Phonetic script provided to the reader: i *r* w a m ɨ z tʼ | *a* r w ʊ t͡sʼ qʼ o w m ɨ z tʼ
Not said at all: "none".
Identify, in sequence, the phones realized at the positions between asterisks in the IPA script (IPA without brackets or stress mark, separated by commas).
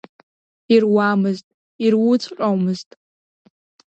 r, i